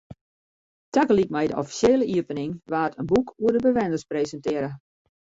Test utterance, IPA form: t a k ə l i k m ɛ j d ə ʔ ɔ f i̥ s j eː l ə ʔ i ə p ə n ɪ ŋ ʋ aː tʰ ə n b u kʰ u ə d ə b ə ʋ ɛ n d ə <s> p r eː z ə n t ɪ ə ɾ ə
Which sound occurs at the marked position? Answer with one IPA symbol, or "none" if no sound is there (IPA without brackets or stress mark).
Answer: s